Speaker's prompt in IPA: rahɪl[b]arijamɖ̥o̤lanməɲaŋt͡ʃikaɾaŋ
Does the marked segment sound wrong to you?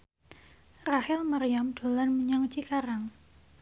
yes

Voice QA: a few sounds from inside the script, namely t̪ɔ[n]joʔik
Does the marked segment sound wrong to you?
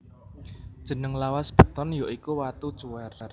no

